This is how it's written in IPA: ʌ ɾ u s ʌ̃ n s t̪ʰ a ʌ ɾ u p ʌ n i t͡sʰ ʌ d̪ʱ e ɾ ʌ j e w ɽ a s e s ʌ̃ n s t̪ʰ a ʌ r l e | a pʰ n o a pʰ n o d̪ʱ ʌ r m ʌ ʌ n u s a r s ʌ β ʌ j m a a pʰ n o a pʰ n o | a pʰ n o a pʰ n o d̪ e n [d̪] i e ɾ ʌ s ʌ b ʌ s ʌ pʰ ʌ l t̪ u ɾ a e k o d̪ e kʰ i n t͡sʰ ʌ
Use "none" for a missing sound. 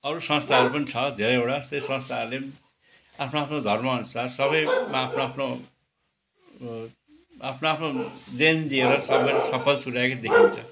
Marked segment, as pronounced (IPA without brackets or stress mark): d̪